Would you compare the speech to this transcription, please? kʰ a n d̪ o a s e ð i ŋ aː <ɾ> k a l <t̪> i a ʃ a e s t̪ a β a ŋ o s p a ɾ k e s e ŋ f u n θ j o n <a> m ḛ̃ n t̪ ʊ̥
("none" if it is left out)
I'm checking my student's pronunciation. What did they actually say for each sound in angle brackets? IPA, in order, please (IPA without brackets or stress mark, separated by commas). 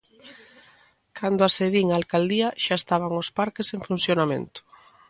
l, d̪, a